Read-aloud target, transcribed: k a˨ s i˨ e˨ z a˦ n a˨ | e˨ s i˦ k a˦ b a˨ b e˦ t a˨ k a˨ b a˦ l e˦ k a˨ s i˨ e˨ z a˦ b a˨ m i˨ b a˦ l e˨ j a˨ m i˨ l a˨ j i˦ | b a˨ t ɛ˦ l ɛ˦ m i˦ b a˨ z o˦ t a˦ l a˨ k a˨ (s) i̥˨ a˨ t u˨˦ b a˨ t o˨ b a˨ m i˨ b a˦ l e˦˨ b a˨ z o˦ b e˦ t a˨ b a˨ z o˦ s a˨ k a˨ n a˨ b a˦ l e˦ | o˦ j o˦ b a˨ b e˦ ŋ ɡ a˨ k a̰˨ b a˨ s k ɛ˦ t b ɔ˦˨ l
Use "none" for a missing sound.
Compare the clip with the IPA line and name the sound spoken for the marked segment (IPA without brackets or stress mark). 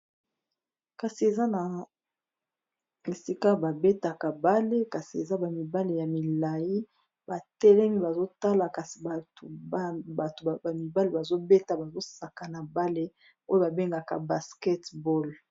s